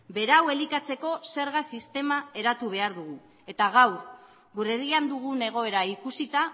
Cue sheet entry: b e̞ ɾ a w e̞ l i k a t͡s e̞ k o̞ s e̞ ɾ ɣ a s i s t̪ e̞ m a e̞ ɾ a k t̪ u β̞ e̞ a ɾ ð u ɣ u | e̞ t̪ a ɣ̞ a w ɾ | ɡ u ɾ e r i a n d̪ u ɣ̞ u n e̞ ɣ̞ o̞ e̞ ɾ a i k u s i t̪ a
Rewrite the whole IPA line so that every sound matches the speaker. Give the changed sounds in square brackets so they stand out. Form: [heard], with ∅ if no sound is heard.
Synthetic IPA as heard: b e̞ ɾ a w e̞ l i k a t͡s e̞ k o̞ s e̞ ɾ ɣ a s i s t̪ e̞ m a e̞ ɾ a [∅] t̪ u β̞ e̞ a ɾ ð u ɣ u | e̞ t̪ a ɣ̞ a w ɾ | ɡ u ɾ e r i a n d̪ u ɣ̞ u n e̞ ɣ̞ o̞ e̞ ɾ a i k u s i t̪ a

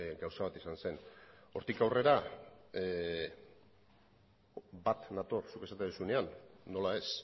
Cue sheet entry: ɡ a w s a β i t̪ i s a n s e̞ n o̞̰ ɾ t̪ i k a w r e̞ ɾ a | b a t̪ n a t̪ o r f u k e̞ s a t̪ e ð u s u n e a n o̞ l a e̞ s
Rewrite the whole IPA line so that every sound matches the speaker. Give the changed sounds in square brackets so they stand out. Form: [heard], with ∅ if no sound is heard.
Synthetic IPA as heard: ɡ a w s a β [a] t̪ i s a n s e̞ n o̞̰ ɾ t̪ i k a w r e̞ ɾ a | b a t̪ n a t̪ o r [s] u k e̞ s a t̪ e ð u s u n e a [nː] o̞ l a e̞ s

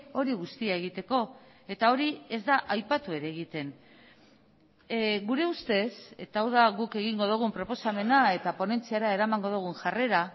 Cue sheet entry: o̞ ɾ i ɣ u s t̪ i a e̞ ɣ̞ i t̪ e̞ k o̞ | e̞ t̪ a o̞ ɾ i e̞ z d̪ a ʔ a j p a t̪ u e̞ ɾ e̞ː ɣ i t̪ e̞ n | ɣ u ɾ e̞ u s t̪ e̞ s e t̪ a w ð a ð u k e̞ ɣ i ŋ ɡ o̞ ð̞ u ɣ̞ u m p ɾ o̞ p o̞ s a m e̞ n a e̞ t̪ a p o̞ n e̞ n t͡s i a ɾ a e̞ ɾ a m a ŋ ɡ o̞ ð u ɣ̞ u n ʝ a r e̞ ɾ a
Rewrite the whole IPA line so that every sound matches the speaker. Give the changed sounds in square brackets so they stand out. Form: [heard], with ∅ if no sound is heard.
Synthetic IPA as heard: o̞ ɾ i ɣ u s t̪ i a e̞ ɣ̞ i t̪ e̞ k o̞ | e̞ t̪ a o̞ ɾ i e̞ z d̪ a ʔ a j p a t̪ u e̞ ɾ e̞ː ɣ i t̪ e̞ n | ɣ u ɾ e̞ u s t̪ e̞ s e t̪ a w ð a [ɣ] u k e̞ ɣ i ŋ ɡ o̞ ð̞ u ɣ̞ u m p ɾ o̞ p o̞ s a m e̞ n a e̞ t̪ a p o̞ n e̞ n t͡s i a ɾ a e̞ ɾ a m a ŋ ɡ o̞ ð u ɣ̞ u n ʝ a r e̞ ɾ a

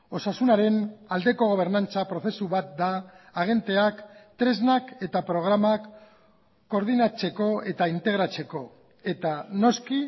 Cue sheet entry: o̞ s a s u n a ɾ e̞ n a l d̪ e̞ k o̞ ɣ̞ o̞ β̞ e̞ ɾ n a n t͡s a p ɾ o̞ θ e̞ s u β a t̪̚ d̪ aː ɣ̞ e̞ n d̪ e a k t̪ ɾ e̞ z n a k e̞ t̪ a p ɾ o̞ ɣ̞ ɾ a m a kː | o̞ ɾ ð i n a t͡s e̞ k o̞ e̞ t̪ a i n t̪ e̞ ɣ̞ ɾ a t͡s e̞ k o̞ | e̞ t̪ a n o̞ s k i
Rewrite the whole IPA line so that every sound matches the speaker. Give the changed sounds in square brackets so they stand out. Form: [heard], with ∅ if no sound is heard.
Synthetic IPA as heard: o̞ s a s u n a ɾ e̞ n a l d̪ e̞ k o̞ ɣ̞ o̞ β̞ e̞ ɾ n a n t͡s a p ɾ o̞ θ e̞ s u β a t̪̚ d̪ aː ɣ̞ e̞ n [t̪] e a k t̪ ɾ e̞ z n a k e̞ t̪ a p ɾ o̞ ɣ̞ ɾ a m a kː | o̞ ɾ ð i n a t͡s e̞ k o̞ e̞ t̪ a i n t̪ e̞ ɣ̞ ɾ a t͡s e̞ k o̞ | e̞ t̪ a n o̞ s k i

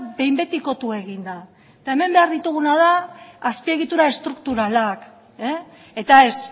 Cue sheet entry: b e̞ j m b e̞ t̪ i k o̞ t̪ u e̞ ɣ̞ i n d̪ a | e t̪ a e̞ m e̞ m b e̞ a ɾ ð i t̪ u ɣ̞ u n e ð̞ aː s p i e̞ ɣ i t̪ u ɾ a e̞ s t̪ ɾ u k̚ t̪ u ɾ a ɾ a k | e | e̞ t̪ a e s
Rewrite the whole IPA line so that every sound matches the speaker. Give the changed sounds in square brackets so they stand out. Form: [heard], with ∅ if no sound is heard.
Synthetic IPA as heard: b e̞ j m b e̞ t̪ i k o̞ t̪ u e̞ ɣ̞ i n d̪ a | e t̪ a e̞ m e̞ m b e̞ a ɾ ð i t̪ u ɣ̞ u n [a] ð̞ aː s p i e̞ ɣ i t̪ u ɾ a e̞ s t̪ ɾ u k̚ t̪ u ɾ a [l] a k | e | e̞ t̪ a e s

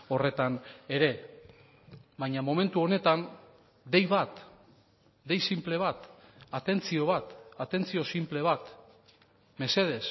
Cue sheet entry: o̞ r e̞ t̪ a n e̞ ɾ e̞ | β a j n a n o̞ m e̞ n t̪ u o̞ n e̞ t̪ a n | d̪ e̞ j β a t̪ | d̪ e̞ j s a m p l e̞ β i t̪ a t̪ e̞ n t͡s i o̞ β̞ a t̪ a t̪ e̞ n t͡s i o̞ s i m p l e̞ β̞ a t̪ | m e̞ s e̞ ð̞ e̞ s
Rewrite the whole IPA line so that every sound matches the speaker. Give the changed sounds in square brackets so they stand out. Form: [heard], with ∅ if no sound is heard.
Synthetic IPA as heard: o̞ r e̞ t̪ a n e̞ ɾ e̞ | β a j [ɲ] a [m] o̞ m e̞ n t̪ u o̞ n e̞ t̪ a n | d̪ e̞ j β a t̪ | d̪ e̞ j s [i] m p l e̞ β [a] t̪ a t̪ e̞ n t͡s i o̞ β̞ a t̪ a t̪ e̞ n t͡s i o̞ s i m p l e̞ β̞ a t̪ | m e̞ s e̞ ð̞ e̞ s

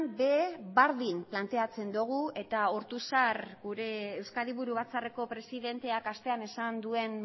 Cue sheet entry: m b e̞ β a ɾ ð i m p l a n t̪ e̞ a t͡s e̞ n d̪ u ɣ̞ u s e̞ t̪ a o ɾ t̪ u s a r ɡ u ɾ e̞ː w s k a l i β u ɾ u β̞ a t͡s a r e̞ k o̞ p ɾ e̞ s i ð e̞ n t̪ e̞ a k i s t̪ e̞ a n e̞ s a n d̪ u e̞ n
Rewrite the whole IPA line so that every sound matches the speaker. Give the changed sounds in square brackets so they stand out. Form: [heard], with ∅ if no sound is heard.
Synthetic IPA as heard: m b e̞ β a ɾ ð i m p l a n t̪ e̞ a t͡s e̞ n d̪ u ɣ̞ u [∅] e̞ t̪ a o ɾ t̪ u s a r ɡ u ɾ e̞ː w s k a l i β u ɾ u β̞ a t͡s a r e̞ k o̞ p ɾ e̞ s i ð e̞ n t̪ e̞ a k [a] s t̪ e̞ a n e̞ s a n d̪ u e̞ n

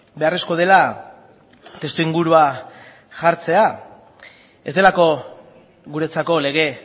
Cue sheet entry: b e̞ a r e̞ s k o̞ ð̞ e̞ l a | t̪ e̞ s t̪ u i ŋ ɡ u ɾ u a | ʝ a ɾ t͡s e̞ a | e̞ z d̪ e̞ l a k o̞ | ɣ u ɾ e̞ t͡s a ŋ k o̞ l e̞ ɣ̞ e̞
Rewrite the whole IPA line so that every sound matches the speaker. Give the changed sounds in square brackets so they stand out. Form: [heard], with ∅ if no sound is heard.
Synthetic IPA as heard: b e̞ a r e̞ s k o̞ ð̞ e̞ l a | t̪ e̞ s t̪ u i ŋ ɡ u ɾ u a | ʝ a ɾ t͡s e̞ a | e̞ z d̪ e̞ l a k o̞ | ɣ u ɾ e̞ t͡s a [∅] k o̞ l e̞ ɣ̞ e̞

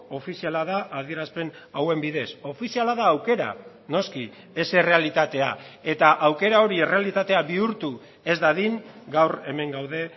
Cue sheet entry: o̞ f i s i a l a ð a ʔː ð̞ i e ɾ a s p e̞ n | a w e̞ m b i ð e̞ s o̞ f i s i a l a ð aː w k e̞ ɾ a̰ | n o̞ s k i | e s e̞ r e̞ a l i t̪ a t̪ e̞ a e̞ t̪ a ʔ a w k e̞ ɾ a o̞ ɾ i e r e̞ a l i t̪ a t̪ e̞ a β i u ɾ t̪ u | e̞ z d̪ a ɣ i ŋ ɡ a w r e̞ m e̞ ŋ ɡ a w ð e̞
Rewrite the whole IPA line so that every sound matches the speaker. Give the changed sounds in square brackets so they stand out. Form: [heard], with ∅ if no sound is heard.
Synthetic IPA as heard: o̞ f i s i a l a ð a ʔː ð̞ i e ɾ a s p e̞ n | a w e̞ m b i ð e̞ s o̞ f i s i a l a ð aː w k e̞ ɾ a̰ | n o̞ s k i | e s e̞ r e̞ a l i t̪ a t̪ e̞ a e̞ t̪ a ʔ a w k e̞ ɾ a o̞ ɾ i e r e̞ a l i t̪ a t̪ e̞ a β i u ɾ t̪ u | e̞ z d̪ a [ð] i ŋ ɡ a w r e̞ m e̞ ŋ ɡ a w ð e̞

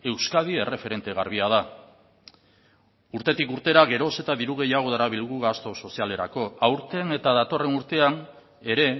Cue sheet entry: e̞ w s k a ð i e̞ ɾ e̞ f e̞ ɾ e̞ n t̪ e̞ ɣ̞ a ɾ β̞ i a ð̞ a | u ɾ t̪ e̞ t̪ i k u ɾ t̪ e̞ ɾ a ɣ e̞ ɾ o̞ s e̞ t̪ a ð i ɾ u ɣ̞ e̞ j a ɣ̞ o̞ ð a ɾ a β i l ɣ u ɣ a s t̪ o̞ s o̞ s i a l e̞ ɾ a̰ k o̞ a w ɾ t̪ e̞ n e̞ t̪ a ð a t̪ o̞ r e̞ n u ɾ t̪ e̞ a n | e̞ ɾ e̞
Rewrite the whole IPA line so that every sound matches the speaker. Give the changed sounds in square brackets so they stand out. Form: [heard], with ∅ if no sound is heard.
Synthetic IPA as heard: e̞ w s k a ð i e̞ [r] e̞ f e̞ ɾ e̞ n t̪ e̞ ɣ̞ a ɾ β̞ i a ð̞ a | u ɾ t̪ e̞ t̪ i k u ɾ t̪ e̞ ɾ a ɣ e̞ ɾ o̞ s e̞ t̪ a ð i ɾ u ɣ̞ e̞ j a ɣ̞ o̞ ð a ɾ a β i l ɣ u ɣ a s t̪ o̞ s o̞ s i a l e̞ ɾ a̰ k o̞ a w ɾ t̪ e̞ n e̞ t̪ a ð a t̪ o̞ r e̞ n u ɾ t̪ e̞ a n | e̞ ɾ e̞

